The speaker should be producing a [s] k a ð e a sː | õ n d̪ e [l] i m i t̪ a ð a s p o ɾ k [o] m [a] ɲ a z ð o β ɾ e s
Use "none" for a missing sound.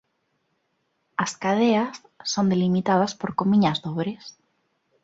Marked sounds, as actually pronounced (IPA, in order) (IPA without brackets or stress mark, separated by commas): s, l, o, i